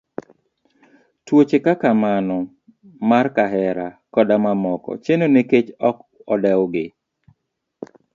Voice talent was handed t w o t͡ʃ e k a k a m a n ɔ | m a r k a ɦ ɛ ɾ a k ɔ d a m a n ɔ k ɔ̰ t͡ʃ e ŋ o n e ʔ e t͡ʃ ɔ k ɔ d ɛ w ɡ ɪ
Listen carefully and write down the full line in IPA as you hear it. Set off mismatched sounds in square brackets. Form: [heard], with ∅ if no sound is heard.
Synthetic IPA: t w o t͡ʃ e k a k a m a n ɔ | m a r k a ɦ ɛ ɾ a k ɔ d a m a [m] ɔ k ɔ̰ t͡ʃ e [n] o n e [k] e t͡ʃ ɔ k ɔ d ɛ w ɡ ɪ